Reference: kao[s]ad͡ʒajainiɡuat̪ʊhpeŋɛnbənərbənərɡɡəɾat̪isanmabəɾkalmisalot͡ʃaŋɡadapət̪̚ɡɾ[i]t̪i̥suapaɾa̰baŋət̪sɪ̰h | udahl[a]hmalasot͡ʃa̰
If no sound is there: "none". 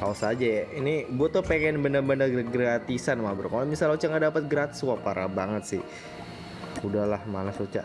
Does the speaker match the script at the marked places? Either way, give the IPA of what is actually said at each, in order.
s, a, a

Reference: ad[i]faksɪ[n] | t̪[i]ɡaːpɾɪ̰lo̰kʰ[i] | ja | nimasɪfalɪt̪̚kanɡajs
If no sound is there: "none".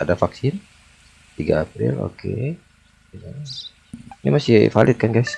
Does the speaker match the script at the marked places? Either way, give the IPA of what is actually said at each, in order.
a, n, i, e

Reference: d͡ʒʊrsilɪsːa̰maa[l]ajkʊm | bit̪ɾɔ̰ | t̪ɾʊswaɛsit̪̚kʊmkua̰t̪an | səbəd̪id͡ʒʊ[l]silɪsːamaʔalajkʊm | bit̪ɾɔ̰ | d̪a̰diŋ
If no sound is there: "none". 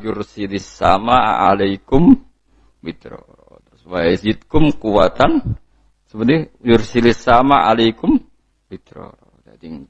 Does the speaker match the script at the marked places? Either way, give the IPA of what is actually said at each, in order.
l, r

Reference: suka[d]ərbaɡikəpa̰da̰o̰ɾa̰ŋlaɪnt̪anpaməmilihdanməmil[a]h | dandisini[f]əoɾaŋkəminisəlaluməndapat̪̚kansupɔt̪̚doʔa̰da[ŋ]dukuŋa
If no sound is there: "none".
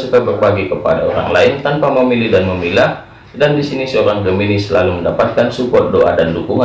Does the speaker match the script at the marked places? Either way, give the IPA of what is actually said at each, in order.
b, a, s, n

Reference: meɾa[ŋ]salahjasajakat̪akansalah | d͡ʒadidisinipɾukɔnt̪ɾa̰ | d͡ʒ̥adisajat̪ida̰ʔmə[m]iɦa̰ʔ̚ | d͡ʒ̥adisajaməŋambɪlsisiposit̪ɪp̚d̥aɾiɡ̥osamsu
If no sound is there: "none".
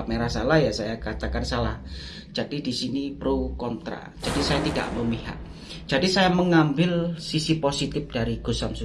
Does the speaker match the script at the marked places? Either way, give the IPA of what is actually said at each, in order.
none, m

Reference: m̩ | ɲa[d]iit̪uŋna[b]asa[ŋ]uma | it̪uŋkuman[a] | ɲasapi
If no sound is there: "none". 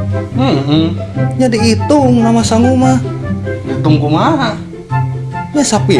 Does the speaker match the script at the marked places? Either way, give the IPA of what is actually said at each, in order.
d, m, ŋ, a

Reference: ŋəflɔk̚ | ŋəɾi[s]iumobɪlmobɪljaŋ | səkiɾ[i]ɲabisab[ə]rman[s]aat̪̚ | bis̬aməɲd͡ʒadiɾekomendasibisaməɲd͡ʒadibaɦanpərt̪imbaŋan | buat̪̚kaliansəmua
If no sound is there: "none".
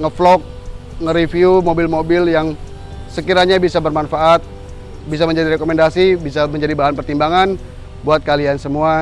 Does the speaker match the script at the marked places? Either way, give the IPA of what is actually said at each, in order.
f, a, ə, f

